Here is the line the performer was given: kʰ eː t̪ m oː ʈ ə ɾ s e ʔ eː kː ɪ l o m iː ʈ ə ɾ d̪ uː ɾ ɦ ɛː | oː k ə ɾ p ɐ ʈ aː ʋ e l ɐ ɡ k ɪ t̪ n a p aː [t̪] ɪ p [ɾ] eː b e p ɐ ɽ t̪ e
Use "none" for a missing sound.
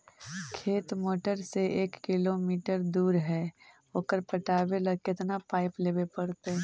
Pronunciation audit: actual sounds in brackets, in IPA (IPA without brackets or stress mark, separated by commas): none, l